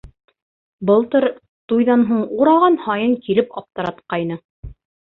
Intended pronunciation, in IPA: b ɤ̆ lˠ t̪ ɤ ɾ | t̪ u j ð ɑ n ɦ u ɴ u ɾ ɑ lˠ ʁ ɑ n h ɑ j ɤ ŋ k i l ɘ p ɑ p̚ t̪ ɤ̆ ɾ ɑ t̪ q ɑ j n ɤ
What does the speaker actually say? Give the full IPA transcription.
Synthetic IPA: b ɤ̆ lˠ t̪ ɤ ɾ | t̪ u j ð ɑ n ɦ u ɴ u ɾ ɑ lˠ ʁ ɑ n h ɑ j ɤ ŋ k i l ɘ p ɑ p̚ t̪ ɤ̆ ɾ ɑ t̪ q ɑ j n ɤ